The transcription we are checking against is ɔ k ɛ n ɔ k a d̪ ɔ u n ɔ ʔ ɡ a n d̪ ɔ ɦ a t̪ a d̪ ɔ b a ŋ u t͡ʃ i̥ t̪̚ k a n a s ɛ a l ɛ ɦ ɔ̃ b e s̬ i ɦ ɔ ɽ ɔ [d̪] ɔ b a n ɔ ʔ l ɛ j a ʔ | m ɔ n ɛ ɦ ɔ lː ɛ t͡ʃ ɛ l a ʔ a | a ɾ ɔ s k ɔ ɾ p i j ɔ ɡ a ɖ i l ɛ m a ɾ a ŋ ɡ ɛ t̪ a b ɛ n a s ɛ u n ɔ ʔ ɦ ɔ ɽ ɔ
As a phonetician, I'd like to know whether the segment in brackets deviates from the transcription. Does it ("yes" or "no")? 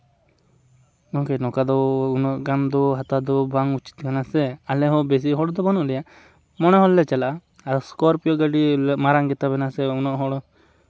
no